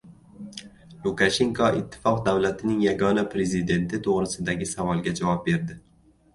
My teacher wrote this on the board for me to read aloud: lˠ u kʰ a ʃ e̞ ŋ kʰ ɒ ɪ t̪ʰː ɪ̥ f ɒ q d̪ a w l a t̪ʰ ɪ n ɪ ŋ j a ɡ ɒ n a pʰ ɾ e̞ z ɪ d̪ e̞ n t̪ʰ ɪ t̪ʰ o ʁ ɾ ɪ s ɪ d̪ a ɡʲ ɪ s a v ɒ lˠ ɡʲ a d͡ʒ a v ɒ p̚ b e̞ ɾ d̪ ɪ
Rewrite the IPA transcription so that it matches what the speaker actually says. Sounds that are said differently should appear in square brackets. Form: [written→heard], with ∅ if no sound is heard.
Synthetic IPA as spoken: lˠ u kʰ a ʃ e̞ ŋ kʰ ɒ ɪ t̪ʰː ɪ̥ f ɒ q d̪ a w l a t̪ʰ ɪ n ɪ ŋ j a ɡ ɒ n a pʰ ɾ e̞ z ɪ d̪ e̞ n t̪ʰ ɪ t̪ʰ o ʁ ɾ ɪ s ɪ d̪ a ɡʲ ɪ s a v ɒ lˠ ɡʲ a d͡ʒ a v ɒ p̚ b e̞ ɾ d̪ ɪ

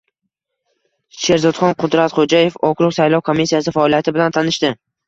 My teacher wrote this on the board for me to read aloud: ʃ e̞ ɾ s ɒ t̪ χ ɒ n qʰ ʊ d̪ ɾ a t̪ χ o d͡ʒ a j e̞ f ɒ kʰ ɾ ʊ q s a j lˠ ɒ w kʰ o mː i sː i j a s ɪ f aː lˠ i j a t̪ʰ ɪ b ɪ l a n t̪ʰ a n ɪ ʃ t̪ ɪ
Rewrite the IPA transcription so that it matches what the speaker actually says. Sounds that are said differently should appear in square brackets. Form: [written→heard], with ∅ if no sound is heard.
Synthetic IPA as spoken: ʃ e̞ ɾ [s→z] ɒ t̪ χ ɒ n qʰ ʊ d̪ ɾ a t̪ χ o d͡ʒ a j e̞ f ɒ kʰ ɾ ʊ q s a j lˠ ɒ w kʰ o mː i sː i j a s ɪ f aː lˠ i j a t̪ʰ ɪ b ɪ l a n t̪ʰ a n ɪ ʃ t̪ ɪ

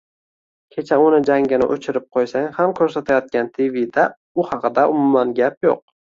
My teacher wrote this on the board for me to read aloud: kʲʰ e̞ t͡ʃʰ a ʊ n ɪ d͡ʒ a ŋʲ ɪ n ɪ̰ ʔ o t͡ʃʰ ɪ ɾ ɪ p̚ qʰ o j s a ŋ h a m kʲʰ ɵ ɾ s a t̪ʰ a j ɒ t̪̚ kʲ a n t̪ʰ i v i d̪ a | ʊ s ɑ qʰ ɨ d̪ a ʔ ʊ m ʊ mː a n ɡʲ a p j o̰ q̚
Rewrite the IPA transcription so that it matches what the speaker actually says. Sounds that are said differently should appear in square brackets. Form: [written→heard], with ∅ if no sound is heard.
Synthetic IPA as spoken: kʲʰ e̞ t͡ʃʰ a ʊ n ɪ d͡ʒ a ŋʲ ɪ n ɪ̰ ʔ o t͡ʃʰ ɪ ɾ ɪ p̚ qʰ o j s a ŋ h a m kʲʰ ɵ ɾ s a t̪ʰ a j ɒ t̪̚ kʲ a n t̪ʰ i v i d̪ a | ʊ [s→h] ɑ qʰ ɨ d̪ a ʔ ʊ m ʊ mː a n ɡʲ a p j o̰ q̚

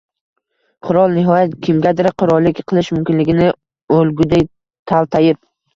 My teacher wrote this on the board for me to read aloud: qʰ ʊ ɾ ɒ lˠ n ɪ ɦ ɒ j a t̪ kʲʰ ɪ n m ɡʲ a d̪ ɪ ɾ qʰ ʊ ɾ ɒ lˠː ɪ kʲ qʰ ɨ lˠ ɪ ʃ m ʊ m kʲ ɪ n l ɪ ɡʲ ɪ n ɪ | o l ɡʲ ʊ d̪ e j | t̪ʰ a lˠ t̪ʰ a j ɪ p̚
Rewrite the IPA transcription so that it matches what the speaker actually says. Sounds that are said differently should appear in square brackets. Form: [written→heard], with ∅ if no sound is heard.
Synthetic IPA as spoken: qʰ ʊ ɾ ɒ lˠ n ɪ ɦ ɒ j a t̪ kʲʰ ɪ [n→∅] m ɡʲ a d̪ ɪ ɾ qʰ ʊ ɾ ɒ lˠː ɪ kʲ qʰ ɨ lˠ ɪ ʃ m ʊ m kʲ ɪ n l ɪ ɡʲ ɪ n ɪ | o l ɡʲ ʊ d̪ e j | t̪ʰ a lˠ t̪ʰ a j ɪ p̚

